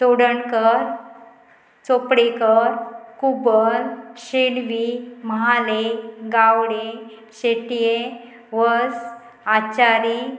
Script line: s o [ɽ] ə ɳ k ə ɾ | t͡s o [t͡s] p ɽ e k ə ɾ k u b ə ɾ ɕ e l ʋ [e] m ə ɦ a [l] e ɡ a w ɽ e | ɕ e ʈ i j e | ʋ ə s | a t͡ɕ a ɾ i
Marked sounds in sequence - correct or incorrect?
correct, incorrect: none, incorrect: i, correct

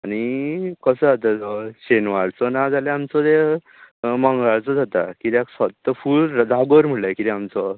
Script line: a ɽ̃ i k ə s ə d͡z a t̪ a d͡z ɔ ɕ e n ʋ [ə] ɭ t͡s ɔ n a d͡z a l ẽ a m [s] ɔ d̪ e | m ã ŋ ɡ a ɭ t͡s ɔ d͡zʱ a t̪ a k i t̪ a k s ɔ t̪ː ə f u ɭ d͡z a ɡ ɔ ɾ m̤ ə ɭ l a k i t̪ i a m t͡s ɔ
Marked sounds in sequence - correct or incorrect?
incorrect: a, incorrect: t͡s

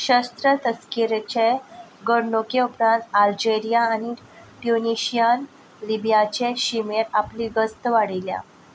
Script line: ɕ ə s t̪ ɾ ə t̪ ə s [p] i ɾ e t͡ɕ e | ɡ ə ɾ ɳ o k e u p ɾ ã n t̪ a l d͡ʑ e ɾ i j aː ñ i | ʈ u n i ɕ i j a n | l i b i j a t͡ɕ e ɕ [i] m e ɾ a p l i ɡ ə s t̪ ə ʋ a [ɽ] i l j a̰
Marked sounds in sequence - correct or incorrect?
incorrect: k, correct, correct

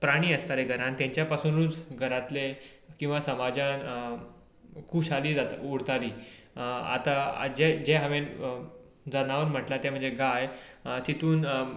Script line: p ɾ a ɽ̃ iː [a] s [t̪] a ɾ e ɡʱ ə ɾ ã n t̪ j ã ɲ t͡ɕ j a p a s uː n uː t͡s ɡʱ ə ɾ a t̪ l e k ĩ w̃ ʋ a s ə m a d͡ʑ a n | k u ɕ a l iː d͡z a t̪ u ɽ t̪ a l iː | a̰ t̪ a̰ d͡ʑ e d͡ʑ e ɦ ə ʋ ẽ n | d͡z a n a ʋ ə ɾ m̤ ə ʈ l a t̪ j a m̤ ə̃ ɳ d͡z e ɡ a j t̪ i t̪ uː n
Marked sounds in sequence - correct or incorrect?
incorrect: ə, correct

